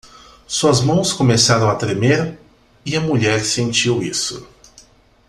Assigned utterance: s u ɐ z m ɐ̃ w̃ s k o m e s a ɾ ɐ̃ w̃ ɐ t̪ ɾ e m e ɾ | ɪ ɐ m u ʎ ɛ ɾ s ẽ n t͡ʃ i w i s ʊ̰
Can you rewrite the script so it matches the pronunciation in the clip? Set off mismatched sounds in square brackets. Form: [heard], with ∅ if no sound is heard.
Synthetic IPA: s u ɐ z m ɐ̃ w̃ s k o m e s a ɾ ɐ̃ w̃ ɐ t̪ ɾ e m e ɾ | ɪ ɐ m u ʎ ɛ ɾ s ẽ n t͡ʃ i w i s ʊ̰